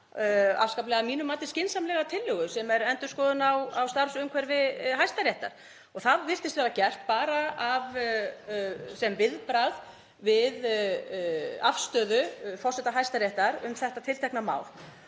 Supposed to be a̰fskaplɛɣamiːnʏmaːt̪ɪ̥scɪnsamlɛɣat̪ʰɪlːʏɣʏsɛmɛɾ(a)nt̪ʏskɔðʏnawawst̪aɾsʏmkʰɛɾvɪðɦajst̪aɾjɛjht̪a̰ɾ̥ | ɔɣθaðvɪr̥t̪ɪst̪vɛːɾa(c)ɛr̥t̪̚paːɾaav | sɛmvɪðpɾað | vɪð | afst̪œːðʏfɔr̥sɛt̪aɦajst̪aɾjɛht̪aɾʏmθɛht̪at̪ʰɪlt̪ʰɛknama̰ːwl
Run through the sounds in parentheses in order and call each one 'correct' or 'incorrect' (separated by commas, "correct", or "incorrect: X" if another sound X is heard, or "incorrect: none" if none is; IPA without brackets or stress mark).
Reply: incorrect: ɛ, correct